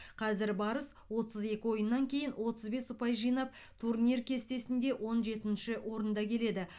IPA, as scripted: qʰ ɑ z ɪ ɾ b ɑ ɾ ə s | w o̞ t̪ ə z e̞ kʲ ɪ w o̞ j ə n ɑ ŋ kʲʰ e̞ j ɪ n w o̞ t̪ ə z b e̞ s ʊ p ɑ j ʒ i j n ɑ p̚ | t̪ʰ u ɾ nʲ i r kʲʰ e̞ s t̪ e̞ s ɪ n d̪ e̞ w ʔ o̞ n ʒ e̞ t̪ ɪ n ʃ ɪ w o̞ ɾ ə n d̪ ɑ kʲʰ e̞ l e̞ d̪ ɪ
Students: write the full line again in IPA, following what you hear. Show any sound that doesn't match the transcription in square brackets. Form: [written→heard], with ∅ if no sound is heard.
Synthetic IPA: qʰ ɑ z ɪ ɾ b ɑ ɾ ə s | w o̞ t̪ ə z e̞ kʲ ɪ w o̞ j ə [n→nː] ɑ ŋ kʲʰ e̞ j ɪ n w o̞ t̪ ə z b e̞ s ʊ p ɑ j ʒ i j n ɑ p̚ | t̪ʰ u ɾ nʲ i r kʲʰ e̞ s t̪ e̞ s ɪ n d̪ e̞ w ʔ o̞ n ʒ e̞ t̪ ɪ n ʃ ɪ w o̞ ɾ ə n d̪ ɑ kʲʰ e̞ l e̞ d̪ ɪ

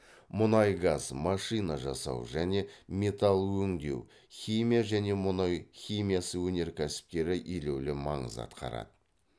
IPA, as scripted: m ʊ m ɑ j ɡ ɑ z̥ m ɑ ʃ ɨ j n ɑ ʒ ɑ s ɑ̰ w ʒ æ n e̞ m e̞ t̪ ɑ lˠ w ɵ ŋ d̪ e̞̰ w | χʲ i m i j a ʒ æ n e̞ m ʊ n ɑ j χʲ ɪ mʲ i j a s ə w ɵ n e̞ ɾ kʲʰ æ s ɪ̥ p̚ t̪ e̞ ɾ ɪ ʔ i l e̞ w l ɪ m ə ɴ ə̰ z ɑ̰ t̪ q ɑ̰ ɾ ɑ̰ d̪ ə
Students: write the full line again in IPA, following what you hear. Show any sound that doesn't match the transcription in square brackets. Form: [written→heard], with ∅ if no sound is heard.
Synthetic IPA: m ʊ [m→n] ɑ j ɡ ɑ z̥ m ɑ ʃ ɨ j n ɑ ʒ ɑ s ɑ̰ w ʒ æ n e̞ m e̞ t̪ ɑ lˠ w ɵ ŋ d̪ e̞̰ w | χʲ i m i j a ʒ æ n e̞ m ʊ n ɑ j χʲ [ɪ→i] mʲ i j a s ə w ɵ n e̞ ɾ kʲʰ æ s ɪ̥ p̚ t̪ e̞ ɾ ɪ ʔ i l e̞ w l ɪ m [ə→ɑ] ɴ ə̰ z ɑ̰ t̪ q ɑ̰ ɾ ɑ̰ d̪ ə

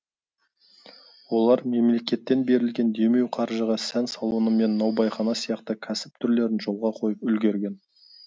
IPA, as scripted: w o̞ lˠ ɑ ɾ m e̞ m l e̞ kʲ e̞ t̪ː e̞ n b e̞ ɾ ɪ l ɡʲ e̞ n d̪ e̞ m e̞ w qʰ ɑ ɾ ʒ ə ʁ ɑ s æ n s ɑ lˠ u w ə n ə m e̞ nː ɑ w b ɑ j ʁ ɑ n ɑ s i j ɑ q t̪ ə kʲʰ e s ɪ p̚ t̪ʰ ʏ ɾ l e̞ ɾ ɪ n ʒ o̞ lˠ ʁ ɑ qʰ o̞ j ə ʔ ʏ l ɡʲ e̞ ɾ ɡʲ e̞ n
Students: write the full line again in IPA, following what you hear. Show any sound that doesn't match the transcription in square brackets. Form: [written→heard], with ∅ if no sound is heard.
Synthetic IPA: w o̞ lˠ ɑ ɾ m e̞ m l e̞ kʲ e̞ t̪ː e̞ n b e̞ ɾ ɪ l ɡʲ e̞ n d̪ e̞ m e̞ w qʰ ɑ ɾ ʒ ə ʁ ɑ s æ n s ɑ lˠ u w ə n ə m e̞ nː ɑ w b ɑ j [ʁ→χ] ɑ n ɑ s i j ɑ q t̪ ə kʲʰ [e→æ] s ɪ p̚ t̪ʰ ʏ ɾ l e̞ ɾ ɪ n ʒ o̞ lˠ ʁ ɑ qʰ o̞ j ə [ʔ→p] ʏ l ɡʲ e̞ ɾ ɡʲ e̞ n

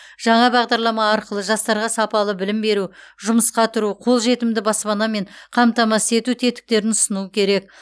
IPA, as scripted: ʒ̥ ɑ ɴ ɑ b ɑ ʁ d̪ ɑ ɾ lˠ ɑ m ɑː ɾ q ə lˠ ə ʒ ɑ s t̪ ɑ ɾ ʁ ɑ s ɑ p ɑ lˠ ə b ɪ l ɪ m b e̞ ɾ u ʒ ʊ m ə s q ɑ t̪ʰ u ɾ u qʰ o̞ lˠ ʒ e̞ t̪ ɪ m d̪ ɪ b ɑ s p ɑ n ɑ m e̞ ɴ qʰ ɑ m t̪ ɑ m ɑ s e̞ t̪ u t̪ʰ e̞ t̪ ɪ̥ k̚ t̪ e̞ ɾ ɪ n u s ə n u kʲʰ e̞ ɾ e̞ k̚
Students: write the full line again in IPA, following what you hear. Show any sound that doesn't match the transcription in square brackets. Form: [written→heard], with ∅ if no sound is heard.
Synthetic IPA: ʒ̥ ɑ ɴ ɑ b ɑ ʁ d̪ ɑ ɾ lˠ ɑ m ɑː ɾ q ə lˠ ə ʒ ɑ s t̪ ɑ ɾ ʁ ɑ s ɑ p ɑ lˠ ə b ɪ l ɪ m b e̞ ɾ u ʒ ʊ m ə s q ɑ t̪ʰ [u→ʊ] ɾ u qʰ o̞ lˠ ʒ e̞ t̪ ɪ m d̪ ɪ b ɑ s p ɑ n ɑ m e̞ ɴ qʰ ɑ m t̪ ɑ m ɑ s e̞ t̪ u t̪ʰ e̞ t̪ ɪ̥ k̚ t̪ e̞ ɾ ɪ n [u→ʊ] s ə n u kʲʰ e̞ ɾ e̞ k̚

